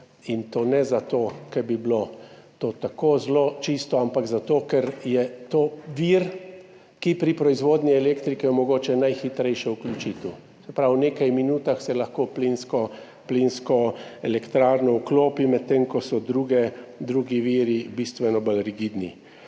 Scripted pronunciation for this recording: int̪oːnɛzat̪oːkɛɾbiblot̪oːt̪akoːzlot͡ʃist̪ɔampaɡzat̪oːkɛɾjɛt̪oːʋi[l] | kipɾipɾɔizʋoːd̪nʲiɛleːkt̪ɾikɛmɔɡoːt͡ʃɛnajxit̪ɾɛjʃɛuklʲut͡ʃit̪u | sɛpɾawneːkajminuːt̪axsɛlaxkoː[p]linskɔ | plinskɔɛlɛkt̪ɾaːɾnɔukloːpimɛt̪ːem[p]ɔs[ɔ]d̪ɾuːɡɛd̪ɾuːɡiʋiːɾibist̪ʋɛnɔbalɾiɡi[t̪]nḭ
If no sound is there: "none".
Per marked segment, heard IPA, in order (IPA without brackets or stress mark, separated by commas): ɾ, p, k, ɔ, d̪